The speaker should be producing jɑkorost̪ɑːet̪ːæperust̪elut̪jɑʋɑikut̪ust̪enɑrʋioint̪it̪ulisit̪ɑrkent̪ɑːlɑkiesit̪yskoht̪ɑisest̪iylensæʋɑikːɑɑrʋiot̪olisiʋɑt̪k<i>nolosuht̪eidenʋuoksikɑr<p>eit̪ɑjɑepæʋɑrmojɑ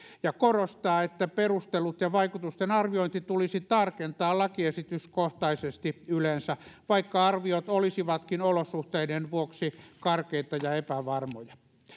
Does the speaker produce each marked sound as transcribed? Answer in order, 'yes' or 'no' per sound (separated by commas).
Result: yes, no